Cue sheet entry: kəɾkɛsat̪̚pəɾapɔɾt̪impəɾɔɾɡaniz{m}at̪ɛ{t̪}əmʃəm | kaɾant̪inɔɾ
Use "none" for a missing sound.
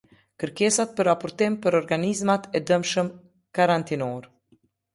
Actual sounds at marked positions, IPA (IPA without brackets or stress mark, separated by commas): m, d̪